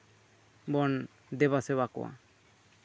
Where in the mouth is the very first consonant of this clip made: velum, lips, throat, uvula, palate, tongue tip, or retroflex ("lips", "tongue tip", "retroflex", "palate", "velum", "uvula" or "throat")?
lips